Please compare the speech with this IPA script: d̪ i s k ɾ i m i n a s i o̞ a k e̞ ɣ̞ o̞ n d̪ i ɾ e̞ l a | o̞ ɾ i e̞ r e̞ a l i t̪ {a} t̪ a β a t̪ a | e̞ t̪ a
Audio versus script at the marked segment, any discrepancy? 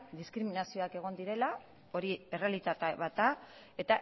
no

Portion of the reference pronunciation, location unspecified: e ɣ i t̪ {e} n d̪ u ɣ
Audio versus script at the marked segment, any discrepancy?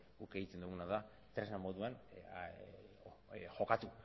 no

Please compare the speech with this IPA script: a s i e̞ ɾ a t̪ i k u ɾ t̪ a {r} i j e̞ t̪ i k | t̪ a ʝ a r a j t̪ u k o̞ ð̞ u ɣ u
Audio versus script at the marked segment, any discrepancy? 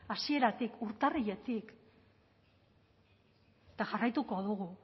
no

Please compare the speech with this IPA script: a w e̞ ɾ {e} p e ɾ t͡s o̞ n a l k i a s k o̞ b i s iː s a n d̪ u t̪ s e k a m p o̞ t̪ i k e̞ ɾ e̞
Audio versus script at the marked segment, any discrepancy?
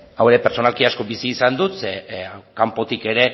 no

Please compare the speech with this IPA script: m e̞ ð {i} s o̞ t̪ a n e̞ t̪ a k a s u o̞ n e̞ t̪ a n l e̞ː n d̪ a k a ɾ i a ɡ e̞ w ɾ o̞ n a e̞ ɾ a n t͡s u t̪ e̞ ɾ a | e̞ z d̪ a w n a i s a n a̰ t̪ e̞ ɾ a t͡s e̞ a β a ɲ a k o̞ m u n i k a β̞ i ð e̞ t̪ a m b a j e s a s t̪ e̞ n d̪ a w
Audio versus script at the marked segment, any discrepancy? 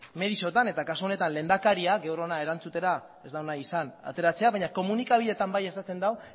no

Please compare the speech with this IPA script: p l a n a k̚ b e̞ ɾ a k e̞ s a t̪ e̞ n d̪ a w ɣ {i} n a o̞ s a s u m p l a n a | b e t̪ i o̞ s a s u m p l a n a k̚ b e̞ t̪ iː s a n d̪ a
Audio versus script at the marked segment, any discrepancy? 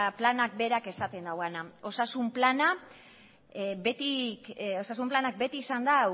yes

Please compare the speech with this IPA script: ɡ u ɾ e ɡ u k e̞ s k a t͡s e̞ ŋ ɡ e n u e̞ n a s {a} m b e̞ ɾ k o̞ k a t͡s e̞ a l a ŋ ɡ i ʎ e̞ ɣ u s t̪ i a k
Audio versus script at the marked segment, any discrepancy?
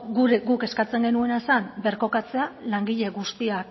no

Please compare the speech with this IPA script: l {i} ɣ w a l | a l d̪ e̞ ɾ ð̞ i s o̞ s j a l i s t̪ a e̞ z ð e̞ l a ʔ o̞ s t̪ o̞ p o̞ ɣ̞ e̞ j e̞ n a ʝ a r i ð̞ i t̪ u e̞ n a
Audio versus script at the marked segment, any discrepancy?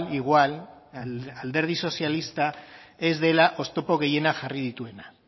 no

